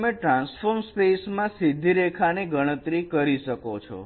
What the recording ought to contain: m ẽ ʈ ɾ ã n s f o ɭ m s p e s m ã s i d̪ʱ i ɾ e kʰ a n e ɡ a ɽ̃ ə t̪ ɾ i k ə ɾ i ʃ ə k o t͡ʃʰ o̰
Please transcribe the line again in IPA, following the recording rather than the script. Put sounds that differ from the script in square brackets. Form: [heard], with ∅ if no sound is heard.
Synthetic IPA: m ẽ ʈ ɾ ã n s f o [ɾ] m s p e s m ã s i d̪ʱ i ɾ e kʰ a n e ɡ [ə] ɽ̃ ə t̪ ɾ i k ə ɾ i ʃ ə k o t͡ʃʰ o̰